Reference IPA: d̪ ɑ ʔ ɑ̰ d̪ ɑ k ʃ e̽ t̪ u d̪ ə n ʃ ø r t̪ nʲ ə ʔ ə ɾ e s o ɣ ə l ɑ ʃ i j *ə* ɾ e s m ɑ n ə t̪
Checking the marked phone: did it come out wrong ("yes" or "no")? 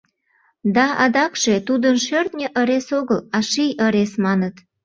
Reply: no